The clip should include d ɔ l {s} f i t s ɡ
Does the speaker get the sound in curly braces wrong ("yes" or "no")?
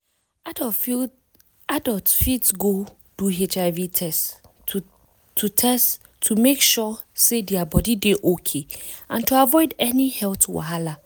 yes